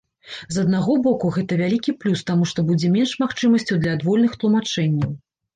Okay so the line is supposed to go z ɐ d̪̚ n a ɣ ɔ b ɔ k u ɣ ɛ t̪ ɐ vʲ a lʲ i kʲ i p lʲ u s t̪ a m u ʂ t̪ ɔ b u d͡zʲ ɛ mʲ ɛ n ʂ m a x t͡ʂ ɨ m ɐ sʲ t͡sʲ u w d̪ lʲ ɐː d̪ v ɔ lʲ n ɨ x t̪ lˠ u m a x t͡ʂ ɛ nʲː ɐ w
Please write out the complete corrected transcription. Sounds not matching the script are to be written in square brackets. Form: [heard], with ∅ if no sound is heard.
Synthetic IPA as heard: z ɐ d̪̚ n a ɣ ɔ b ɔ k u ɣ ɛ t̪ ɐ vʲ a lʲ i kʲ i p lʲ u s t̪ a m u ʂ t̪ ɔ b u d͡zʲ ɛ mʲ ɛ n ʂ m a x t͡ʂ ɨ m ɐ sʲ t͡sʲ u w d̪ lʲ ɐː d̪ v ɔ lʲ n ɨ x t̪ lˠ u m a [∅] t͡ʂ ɛ nʲː ɐ w